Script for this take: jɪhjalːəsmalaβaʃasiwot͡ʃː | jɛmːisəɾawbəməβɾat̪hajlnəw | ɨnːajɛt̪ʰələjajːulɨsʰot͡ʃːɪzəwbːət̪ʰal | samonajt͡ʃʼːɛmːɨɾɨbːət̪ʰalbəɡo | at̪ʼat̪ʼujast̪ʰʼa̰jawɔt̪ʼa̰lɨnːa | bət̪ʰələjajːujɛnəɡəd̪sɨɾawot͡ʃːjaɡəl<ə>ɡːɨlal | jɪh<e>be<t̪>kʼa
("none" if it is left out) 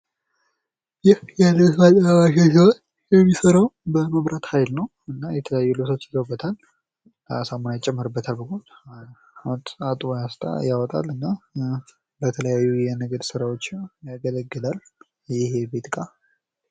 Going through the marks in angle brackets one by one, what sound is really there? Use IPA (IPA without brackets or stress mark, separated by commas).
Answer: ə, e, t̪